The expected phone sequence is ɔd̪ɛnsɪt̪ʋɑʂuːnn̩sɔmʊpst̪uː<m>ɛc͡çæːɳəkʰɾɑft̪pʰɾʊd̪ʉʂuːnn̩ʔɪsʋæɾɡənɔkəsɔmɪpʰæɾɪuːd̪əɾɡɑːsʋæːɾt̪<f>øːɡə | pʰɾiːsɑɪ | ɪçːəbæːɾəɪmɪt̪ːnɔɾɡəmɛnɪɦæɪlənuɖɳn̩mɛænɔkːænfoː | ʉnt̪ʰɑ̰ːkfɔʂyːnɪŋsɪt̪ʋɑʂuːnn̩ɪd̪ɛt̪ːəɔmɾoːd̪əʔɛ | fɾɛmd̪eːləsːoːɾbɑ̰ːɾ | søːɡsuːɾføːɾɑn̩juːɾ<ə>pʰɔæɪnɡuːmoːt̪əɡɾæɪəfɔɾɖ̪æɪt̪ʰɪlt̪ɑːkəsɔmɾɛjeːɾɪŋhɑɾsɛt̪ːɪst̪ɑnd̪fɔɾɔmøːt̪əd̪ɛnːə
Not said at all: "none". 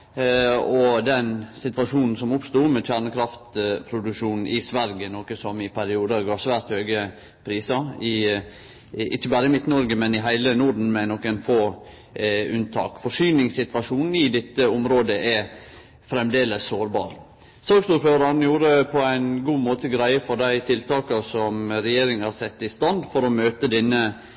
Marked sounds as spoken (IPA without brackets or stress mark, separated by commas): m, h, ə